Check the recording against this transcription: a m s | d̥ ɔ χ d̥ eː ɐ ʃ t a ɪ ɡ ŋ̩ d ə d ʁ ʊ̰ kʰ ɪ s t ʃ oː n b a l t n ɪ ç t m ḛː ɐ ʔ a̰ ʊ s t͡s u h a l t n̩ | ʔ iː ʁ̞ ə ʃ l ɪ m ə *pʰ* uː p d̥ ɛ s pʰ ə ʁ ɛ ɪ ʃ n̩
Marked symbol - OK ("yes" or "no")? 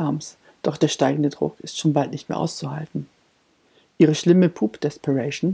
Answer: yes